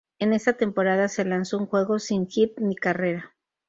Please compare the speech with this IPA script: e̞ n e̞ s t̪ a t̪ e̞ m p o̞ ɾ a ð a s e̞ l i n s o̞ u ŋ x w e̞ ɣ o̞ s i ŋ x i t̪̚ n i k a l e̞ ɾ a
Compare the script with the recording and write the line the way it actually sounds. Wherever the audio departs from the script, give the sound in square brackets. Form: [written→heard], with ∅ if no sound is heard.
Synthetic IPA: e̞ n e̞ s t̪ a t̪ e̞ m p o̞ ɾ a ð a s e̞ l [i→a] n s o̞ u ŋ x w e̞ ɣ o̞ s i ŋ x i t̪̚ n i k a [l→r] e̞ ɾ a